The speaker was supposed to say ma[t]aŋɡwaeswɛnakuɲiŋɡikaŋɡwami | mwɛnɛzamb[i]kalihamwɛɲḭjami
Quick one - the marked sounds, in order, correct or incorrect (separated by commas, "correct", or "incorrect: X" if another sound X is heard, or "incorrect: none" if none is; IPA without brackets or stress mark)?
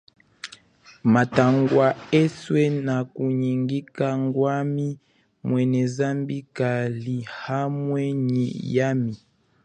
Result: correct, correct